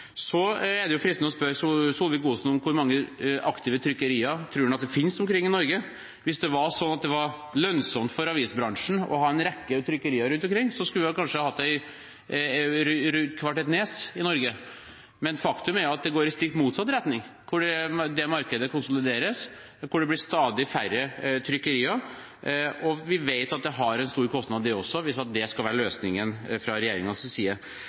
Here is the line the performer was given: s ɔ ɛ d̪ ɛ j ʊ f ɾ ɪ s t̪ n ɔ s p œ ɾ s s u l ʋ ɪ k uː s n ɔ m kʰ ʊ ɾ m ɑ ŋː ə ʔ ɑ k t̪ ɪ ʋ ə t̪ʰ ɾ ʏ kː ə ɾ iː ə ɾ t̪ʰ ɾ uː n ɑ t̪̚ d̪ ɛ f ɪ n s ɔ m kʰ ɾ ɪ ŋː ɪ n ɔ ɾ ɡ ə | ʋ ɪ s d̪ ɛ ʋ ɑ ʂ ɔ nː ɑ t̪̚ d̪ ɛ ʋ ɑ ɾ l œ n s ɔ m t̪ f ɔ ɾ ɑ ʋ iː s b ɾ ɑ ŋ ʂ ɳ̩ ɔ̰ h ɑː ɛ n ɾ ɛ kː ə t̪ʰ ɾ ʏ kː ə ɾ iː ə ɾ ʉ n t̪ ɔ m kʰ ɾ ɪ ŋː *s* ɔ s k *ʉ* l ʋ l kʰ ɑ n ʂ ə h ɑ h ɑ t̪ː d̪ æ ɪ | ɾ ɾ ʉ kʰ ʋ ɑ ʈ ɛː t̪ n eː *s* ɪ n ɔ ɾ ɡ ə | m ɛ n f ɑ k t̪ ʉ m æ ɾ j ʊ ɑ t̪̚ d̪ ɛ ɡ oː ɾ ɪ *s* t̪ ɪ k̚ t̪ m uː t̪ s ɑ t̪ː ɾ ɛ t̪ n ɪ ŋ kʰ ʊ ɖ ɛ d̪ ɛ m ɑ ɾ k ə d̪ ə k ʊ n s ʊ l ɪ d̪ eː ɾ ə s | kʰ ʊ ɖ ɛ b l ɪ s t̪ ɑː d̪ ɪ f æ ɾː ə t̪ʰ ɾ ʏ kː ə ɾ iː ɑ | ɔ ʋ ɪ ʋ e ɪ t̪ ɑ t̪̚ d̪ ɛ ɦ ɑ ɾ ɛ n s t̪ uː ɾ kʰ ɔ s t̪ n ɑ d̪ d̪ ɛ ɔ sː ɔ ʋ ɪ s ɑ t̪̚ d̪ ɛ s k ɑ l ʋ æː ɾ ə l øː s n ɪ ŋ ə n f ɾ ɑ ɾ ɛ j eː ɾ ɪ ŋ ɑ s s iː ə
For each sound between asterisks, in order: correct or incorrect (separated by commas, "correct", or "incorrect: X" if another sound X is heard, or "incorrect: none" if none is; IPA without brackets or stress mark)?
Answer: correct, correct, correct, correct